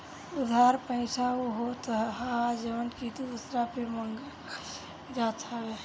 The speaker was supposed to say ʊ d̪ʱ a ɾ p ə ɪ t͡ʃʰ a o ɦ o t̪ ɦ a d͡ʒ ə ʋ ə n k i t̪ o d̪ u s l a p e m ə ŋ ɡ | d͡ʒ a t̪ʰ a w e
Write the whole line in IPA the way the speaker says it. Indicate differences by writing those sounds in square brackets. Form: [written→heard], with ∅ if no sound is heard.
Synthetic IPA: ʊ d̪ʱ a ɾ p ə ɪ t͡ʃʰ a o ɦ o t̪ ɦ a d͡ʒ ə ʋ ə n k i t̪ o d̪ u s [l→ɾ] a p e m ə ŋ ɡ | d͡ʒ a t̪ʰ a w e